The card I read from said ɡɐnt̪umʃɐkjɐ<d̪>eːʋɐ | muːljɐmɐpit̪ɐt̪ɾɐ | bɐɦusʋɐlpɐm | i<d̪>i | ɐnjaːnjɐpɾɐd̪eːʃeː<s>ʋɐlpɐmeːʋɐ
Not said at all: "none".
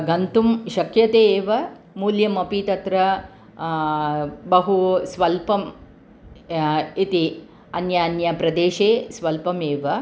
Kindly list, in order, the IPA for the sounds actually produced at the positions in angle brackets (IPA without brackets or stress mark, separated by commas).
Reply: t̪, t̪, s